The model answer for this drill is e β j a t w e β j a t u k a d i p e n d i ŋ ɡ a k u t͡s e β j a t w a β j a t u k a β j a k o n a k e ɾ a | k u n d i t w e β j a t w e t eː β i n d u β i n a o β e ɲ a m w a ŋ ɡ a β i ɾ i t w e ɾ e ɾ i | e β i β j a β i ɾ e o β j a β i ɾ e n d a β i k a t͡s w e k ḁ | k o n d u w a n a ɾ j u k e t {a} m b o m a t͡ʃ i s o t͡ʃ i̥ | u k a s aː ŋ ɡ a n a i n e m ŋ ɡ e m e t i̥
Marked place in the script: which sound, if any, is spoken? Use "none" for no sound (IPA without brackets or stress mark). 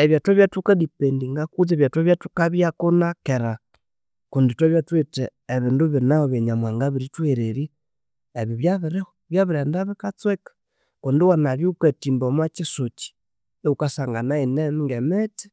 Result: i